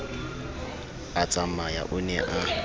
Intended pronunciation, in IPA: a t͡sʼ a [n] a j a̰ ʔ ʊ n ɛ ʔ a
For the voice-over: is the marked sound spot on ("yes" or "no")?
no